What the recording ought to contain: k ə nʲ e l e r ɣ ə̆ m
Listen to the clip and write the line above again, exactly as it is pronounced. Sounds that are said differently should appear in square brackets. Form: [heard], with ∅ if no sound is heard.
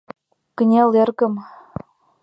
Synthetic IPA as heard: k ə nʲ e l e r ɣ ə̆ m